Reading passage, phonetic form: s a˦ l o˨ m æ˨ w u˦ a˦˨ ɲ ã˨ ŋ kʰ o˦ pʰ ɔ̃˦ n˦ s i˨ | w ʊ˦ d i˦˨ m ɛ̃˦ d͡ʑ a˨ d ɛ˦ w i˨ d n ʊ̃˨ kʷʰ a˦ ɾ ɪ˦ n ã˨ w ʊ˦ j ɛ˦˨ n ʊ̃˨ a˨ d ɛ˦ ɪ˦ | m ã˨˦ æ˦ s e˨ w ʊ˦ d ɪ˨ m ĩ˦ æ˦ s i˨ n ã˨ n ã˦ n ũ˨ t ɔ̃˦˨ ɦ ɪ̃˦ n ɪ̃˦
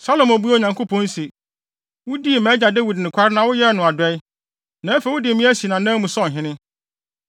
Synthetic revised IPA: s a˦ l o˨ m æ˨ b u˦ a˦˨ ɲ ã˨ ŋ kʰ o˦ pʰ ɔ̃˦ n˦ s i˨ | w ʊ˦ d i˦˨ m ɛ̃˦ d͡ʑ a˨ d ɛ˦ w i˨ d n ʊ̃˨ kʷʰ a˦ ɾ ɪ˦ n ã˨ w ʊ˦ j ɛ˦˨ n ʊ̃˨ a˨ d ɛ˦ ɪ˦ | n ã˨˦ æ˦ f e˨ w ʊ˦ d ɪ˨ m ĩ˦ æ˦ s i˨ n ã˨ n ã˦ m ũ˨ s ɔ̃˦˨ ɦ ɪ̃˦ n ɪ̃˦